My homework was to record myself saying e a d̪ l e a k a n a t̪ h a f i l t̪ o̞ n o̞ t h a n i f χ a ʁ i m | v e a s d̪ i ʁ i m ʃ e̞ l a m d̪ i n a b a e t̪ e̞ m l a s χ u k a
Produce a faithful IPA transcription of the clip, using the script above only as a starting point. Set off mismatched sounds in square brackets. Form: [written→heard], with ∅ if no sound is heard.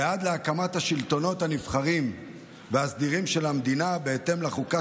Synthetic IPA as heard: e a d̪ l e a k a [n→m] a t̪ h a [f→ʃ] i l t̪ o̞ n o̞ t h a n i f χ a ʁ i m | v e a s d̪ i ʁ i m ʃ e̞ l a m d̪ i n a b [a→e] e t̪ e̞ m l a [s→∅] χ u k a